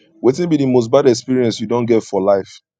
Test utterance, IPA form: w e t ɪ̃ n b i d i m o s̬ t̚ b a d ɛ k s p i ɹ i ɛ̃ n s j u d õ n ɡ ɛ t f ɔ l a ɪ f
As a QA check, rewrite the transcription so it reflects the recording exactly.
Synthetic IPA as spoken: w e t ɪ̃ n b i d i m o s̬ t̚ b a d ɛ k s p i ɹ i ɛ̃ n s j u d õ n ɡ ɛ t f ɔ l a ɪ f

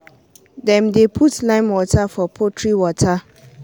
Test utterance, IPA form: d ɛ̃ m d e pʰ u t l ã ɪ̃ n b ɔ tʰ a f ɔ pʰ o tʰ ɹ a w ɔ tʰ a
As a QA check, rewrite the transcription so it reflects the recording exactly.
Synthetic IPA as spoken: d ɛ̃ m d e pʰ u t l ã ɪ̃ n w ɔ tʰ a f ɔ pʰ o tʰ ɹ i w ɔ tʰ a

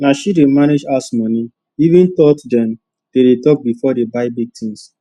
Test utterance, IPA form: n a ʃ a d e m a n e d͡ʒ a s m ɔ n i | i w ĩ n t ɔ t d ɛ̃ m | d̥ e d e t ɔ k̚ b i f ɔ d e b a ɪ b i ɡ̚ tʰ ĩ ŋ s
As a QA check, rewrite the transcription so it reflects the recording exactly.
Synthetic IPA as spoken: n a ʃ i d e m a n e d͡ʒ a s m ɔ n i | i v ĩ n t ɔ t d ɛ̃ m | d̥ e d e t ɔ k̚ b i f ɔ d e b a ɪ b i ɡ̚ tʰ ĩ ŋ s

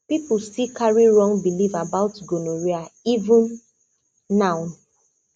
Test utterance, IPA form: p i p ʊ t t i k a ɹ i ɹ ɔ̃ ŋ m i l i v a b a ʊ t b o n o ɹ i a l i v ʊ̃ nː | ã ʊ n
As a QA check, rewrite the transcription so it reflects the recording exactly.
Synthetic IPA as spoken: p i p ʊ s t i k a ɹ i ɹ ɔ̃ ŋ b i l i v a b a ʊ t ɡ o n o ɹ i a i v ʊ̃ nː | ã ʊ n

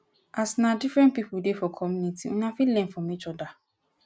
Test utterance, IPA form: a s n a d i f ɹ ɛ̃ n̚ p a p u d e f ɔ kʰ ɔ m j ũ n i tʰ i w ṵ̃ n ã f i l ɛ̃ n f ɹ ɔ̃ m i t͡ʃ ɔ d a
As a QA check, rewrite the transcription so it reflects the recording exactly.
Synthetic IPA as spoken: a s n a d i f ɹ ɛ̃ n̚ p i p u d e f ɔ kʰ ɔ m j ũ n i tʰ i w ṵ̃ n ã f i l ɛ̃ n f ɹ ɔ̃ m i t͡ʃ ɔ d a

